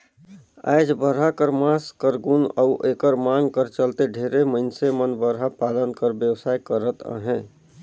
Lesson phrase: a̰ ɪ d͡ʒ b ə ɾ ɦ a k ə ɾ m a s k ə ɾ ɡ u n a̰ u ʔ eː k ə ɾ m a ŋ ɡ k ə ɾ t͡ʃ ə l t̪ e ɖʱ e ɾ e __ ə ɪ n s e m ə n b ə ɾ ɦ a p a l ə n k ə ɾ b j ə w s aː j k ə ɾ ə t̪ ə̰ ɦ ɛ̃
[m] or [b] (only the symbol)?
m